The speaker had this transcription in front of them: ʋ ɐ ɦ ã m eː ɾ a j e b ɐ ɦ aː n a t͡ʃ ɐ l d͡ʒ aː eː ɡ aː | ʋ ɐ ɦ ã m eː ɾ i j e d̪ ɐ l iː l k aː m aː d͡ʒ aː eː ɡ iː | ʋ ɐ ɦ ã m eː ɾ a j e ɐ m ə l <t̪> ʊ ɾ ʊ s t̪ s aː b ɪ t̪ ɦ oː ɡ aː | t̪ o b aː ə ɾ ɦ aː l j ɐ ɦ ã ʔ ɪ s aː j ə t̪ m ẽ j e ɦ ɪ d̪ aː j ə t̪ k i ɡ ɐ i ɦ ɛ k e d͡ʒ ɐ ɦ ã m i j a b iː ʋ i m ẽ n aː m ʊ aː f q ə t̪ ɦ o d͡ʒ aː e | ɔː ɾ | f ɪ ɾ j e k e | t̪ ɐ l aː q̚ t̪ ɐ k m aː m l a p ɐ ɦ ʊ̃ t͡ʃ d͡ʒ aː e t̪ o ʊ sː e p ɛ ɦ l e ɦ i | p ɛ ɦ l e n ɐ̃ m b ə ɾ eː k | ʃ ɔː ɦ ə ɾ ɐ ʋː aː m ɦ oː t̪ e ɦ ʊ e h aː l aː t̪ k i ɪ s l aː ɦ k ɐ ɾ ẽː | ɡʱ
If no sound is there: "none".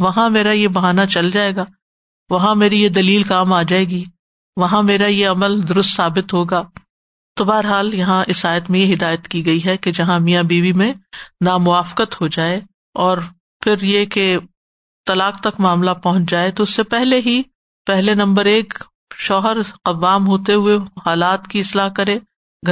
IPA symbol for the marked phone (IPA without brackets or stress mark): d̪